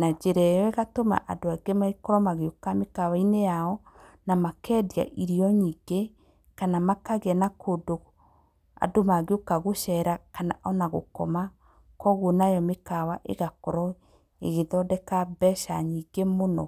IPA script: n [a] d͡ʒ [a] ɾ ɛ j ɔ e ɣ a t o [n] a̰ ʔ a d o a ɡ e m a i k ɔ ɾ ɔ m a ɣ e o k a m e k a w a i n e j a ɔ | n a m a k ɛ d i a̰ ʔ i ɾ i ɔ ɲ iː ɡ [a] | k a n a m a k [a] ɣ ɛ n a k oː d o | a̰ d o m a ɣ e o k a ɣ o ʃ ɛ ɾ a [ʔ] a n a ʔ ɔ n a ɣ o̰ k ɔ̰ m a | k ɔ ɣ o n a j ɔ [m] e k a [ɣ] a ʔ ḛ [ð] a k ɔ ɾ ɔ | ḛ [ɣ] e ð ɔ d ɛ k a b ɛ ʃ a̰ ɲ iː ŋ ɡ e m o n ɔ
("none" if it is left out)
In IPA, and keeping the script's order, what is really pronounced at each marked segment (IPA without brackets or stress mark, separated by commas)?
a, e, m, e, a, k, m, w, ɣ, ɣ